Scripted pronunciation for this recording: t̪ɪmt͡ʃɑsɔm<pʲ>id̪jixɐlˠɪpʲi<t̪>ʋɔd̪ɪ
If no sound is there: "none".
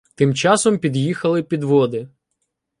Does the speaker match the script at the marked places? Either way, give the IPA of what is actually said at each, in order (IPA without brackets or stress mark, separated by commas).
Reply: pʲ, d̪